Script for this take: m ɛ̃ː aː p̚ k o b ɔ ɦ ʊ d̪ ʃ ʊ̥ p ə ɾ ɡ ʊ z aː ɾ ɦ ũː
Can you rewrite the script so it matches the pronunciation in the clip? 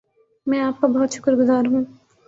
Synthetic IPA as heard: m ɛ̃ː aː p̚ k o b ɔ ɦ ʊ t̪ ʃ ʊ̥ k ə ɾ ɡ ʊ z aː ɾ ɦ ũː